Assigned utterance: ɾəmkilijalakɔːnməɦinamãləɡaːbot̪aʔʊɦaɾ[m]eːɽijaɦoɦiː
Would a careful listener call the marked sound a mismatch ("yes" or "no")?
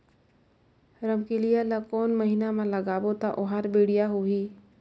yes